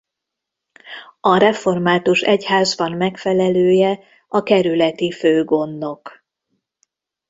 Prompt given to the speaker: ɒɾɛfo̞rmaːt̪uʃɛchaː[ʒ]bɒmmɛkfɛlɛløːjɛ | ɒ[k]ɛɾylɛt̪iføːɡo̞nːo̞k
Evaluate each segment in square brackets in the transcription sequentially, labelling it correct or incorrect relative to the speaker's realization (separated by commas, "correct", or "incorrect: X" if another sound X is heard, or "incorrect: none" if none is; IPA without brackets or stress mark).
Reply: incorrect: z, correct